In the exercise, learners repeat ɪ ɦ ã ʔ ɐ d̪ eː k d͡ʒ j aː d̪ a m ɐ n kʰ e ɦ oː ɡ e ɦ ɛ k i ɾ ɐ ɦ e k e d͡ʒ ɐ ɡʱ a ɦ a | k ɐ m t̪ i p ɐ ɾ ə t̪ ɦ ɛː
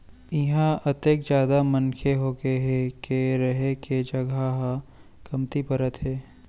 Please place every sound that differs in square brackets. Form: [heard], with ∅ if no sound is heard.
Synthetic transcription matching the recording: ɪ ɦ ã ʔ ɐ [t̪] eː k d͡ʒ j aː d̪ a m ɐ n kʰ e ɦ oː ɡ e ɦ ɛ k [e] ɾ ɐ ɦ e k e d͡ʒ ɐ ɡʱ a ɦ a | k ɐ m t̪ i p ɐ ɾ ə t̪ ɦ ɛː

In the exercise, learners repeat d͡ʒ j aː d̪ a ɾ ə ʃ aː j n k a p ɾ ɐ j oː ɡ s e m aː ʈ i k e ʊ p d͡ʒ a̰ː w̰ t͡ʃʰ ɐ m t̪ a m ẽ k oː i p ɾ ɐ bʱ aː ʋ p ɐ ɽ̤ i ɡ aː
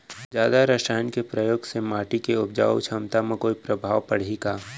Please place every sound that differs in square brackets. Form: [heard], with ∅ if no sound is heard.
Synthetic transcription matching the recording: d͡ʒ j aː d̪ a ɾ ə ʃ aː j n k [e] p ɾ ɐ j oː ɡ s e m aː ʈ i k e ʊ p d͡ʒ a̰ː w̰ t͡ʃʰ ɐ m t̪ a m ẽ k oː i p ɾ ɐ bʱ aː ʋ p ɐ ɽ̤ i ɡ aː

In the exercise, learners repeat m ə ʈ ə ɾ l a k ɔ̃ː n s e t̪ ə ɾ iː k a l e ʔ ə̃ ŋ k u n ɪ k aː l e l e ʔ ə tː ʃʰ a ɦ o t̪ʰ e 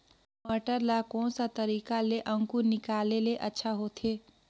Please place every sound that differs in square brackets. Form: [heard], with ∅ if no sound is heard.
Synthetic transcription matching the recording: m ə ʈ ə ɾ l a k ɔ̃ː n s [a] t̪ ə ɾ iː k a l e ʔ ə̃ ŋ k u n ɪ k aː l e l e ʔ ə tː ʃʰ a ɦ o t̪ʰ e

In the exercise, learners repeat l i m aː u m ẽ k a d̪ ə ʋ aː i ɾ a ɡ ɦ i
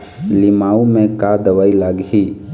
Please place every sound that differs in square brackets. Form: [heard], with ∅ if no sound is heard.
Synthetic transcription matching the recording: l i m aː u m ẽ k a d̪ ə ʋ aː i [l] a ɡ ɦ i

